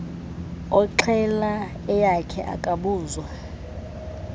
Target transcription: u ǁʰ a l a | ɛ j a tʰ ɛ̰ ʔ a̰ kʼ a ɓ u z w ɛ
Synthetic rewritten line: ɔ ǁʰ ɛ l a | ɛ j a kʰ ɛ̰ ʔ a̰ kʼ a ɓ uː z w a